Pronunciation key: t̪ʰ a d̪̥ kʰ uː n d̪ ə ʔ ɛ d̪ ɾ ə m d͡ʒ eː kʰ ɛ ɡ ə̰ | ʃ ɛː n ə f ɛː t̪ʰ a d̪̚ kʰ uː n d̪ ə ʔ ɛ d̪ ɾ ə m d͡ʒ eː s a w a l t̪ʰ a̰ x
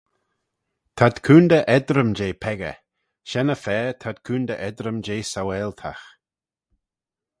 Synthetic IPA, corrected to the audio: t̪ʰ a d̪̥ kʰ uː n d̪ ə ʔ ɛ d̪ ɾ ə m d͡ʒ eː pʰ ɛ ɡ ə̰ | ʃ ɛ n ə f ɛː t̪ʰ a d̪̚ kʰ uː n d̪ ə ʔ ɛ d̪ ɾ ə m d͡ʒ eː s a w ɛ l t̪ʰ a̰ x